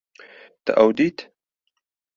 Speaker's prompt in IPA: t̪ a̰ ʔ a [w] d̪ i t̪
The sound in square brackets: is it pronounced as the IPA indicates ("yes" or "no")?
yes